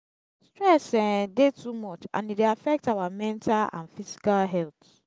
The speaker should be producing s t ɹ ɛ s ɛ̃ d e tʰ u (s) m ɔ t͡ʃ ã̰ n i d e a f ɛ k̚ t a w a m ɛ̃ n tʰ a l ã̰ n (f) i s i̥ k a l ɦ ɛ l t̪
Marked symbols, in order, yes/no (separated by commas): no, yes